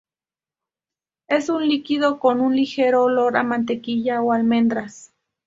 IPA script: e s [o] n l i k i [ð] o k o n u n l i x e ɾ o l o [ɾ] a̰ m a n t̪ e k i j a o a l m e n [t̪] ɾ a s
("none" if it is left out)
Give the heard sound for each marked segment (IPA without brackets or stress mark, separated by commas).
u, ð, ɾ, d̪